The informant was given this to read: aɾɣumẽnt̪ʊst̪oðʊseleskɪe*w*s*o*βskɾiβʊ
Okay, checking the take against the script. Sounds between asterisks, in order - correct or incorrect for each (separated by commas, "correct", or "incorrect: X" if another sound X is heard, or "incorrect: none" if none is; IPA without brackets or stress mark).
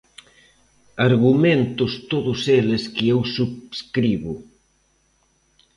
correct, incorrect: u